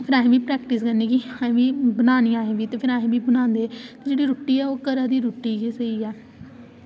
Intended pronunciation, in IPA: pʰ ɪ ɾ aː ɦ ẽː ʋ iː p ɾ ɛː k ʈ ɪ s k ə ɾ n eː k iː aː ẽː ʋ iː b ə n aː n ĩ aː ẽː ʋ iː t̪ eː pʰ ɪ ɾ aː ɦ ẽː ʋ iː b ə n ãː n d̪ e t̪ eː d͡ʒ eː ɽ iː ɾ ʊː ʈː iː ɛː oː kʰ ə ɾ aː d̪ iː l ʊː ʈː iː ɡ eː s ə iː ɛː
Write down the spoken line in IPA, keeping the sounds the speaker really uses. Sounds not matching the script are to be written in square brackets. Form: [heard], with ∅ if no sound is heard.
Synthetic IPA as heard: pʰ ɪ ɾ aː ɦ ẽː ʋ iː p ɾ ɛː k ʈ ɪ s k ə ɾ n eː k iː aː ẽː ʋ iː b ə n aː n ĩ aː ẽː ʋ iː t̪ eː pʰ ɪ ɾ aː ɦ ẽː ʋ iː b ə n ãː n d̪ e t̪ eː d͡ʒ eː ɽ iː ɾ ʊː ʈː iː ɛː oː [k] ə ɾ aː d̪ iː [ɾ] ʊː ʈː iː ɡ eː s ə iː ɛː